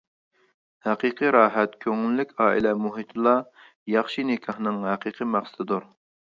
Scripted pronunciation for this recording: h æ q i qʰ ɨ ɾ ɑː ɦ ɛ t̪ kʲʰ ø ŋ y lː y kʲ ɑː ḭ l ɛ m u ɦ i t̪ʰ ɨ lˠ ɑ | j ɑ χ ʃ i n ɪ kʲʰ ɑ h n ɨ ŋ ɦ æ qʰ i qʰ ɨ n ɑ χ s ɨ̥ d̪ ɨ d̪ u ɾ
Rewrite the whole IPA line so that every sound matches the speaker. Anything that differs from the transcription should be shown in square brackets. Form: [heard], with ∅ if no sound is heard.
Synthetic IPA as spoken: h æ q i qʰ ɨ ɾ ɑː ɦ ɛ t̪ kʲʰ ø ŋ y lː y kʲ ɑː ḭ l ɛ m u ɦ i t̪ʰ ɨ lˠ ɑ | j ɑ χ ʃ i n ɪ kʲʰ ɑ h n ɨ ŋ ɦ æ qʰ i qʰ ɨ [m] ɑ χ s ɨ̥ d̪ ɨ d̪ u ɾ

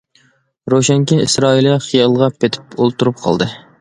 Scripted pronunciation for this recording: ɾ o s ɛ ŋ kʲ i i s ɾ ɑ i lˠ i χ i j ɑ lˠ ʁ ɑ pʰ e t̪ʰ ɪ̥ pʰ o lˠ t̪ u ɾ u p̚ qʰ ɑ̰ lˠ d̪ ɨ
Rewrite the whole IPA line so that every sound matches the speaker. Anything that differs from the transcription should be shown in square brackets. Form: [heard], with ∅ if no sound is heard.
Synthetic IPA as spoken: ɾ o [ʃ] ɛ ŋ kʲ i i s ɾ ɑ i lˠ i χ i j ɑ lˠ ʁ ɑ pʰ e t̪ʰ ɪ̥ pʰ o lˠ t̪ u ɾ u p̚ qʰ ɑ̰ lˠ d̪ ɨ

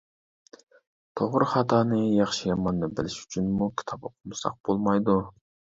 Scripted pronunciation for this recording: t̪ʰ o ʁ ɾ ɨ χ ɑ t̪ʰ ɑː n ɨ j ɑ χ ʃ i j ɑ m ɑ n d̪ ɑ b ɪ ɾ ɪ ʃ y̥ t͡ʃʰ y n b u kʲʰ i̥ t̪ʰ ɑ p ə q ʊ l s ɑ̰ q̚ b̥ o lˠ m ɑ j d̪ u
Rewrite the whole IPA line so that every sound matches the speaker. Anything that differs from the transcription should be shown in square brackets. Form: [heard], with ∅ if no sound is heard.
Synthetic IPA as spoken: t̪ʰ o ʁ ɾ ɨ χ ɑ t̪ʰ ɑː n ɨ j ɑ χ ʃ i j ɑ m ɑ n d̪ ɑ b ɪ [l] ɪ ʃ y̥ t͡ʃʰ y n [m] u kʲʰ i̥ t̪ʰ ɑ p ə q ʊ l s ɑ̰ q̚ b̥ o lˠ m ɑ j d̪ u

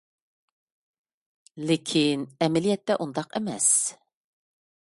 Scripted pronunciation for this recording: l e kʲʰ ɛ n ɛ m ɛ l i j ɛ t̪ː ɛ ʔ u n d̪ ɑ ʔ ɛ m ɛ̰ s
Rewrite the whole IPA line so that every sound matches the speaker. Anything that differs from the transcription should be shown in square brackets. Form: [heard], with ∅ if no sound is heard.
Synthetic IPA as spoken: l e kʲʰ [i] n ɛ m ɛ l i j ɛ t̪ː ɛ ʔ u n d̪ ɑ [q] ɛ m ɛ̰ s

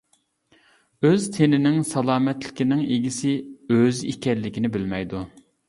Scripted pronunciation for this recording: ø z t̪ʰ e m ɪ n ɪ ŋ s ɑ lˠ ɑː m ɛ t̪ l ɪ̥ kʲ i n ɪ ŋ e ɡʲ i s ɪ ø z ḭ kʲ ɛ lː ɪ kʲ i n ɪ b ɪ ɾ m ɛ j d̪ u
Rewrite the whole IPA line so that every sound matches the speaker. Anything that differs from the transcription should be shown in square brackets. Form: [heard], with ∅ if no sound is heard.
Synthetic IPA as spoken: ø z t̪ʰ e [n] ɪ n ɪ ŋ s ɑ lˠ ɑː m ɛ t̪ l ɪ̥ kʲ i n ɪ ŋ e ɡʲ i s ɪ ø z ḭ kʲ ɛ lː ɪ kʲ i n ɪ b ɪ [l] m ɛ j d̪ u

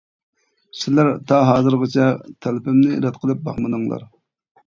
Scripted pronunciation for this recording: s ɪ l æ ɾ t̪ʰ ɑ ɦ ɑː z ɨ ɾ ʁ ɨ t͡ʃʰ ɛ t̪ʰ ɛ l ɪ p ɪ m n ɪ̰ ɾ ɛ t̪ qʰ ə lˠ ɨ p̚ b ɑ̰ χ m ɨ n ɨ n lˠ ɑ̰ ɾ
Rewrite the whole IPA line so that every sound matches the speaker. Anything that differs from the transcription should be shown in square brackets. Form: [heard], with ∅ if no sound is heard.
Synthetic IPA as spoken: s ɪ l æ ɾ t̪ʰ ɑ ɦ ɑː z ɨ ɾ ʁ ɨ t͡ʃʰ ɛ t̪ʰ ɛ l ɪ p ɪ m n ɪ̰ ɾ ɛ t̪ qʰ ə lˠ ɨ p̚ b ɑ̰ χ m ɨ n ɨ [ŋ] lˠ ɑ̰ ɾ

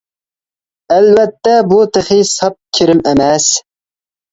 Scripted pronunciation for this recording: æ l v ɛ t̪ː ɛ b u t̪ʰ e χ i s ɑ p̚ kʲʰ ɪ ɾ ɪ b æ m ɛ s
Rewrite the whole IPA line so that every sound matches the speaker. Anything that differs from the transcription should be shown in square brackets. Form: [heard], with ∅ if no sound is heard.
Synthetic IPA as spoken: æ l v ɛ t̪ː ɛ b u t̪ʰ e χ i s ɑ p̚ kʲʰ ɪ ɾ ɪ [m] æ m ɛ s

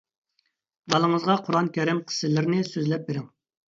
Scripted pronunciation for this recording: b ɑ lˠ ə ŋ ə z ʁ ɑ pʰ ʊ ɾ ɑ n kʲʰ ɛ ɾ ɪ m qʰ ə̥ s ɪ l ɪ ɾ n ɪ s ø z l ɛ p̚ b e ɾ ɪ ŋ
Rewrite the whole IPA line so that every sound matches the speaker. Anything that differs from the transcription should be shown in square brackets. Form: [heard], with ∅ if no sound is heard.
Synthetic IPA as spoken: b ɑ lˠ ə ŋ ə z ʁ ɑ [qʰ] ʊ ɾ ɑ n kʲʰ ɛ ɾ ɪ m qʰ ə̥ s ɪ l ɪ ɾ n ɪ s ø z l ɛ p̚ b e ɾ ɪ ŋ

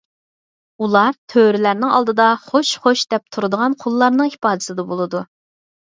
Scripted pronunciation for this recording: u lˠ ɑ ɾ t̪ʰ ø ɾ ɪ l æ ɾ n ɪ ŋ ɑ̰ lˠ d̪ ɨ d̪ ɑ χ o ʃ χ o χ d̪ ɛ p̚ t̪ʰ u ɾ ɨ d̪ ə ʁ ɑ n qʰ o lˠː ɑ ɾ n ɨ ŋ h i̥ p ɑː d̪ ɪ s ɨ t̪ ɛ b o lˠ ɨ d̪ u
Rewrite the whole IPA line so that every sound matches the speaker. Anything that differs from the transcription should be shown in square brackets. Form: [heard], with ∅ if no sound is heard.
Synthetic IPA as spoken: u lˠ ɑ ɾ t̪ʰ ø ɾ ɪ l æ ɾ n ɪ ŋ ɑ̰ lˠ d̪ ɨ d̪ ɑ χ o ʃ χ o [ʃ] d̪ ɛ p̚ t̪ʰ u ɾ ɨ d̪ ə ʁ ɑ n qʰ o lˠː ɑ ɾ n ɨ ŋ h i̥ p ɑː d̪ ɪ s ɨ [d̪] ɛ b o lˠ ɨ d̪ u

